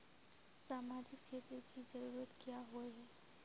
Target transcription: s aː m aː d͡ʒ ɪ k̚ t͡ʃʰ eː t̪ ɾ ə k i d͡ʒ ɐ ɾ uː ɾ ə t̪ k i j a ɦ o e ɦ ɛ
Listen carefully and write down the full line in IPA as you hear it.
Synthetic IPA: s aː m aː d͡ʒ ɪ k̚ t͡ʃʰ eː t̪ ɾ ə k i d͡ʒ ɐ ɾ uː ɾ ə t̪ k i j a ɦ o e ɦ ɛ